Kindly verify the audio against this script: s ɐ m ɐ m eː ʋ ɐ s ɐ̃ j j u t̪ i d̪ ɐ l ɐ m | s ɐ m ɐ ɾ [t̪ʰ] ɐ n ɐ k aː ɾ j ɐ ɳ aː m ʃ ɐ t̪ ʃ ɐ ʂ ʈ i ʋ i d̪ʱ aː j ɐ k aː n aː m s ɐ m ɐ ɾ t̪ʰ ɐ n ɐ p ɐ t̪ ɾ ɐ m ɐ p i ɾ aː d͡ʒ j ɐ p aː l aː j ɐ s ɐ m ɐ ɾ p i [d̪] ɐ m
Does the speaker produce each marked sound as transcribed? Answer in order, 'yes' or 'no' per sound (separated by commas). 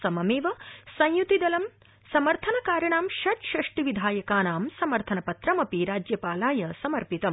yes, no